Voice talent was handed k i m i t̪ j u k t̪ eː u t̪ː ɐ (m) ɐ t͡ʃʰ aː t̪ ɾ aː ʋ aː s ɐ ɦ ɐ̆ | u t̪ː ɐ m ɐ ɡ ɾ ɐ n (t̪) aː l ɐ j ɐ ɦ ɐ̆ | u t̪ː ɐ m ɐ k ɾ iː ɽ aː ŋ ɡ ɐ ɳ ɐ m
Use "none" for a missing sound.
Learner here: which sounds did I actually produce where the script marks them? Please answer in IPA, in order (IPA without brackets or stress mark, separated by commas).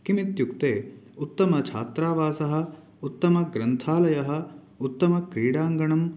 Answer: m, t̪ʰ